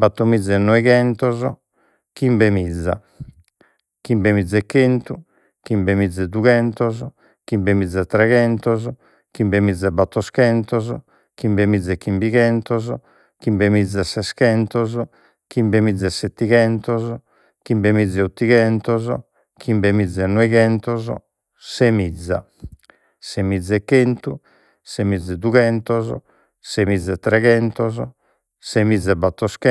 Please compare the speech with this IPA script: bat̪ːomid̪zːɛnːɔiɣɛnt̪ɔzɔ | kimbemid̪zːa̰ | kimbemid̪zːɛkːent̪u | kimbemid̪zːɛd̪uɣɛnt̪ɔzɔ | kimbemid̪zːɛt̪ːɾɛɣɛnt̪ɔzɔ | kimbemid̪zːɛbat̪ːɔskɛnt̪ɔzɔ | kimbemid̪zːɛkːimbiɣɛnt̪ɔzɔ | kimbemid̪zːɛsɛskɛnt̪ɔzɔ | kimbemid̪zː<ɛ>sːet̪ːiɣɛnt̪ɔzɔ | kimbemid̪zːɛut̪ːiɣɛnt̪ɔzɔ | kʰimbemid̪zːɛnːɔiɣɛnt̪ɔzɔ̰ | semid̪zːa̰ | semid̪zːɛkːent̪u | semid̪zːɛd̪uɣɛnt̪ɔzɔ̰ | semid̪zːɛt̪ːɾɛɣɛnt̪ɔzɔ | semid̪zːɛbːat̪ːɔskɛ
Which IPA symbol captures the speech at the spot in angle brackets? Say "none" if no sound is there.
ɛ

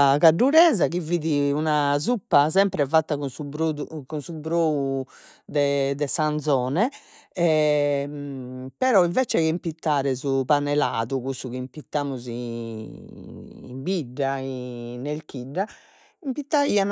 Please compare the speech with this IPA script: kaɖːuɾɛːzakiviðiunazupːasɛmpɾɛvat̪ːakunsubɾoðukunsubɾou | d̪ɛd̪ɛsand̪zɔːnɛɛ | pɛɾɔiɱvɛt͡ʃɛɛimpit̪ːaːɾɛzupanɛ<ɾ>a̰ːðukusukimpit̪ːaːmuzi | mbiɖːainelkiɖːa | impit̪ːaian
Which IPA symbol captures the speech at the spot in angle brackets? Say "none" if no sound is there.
l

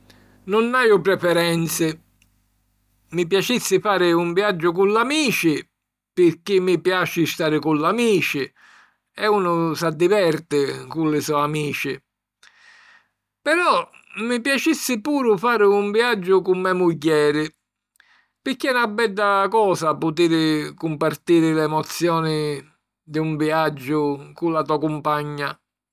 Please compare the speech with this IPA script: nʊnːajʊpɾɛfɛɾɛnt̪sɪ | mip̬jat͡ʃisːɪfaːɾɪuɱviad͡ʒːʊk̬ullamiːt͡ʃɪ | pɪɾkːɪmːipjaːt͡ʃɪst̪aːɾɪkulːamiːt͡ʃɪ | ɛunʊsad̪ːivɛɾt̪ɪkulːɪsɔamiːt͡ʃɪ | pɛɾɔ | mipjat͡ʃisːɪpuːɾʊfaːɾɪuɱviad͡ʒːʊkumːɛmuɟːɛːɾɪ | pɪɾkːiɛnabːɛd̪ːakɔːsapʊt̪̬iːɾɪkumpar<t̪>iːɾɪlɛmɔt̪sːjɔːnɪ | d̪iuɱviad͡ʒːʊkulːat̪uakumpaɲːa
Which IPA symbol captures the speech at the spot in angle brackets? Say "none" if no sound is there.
t̪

